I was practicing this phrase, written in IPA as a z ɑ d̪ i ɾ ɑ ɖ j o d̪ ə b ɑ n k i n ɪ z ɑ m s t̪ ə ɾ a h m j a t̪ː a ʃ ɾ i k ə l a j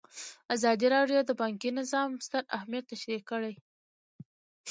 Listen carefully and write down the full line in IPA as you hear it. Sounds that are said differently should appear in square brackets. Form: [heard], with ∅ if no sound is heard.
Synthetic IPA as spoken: a z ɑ d̪ i ɾ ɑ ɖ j o d̪ ə b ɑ [ŋ] k i n ɪ z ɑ m s t̪ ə ɾ a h m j a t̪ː a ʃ ɾ i k ə [ɽ] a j